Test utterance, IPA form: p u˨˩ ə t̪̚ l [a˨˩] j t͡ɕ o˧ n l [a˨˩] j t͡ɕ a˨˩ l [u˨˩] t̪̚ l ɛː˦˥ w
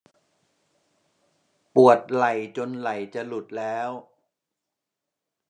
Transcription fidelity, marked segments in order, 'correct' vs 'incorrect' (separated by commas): correct, correct, correct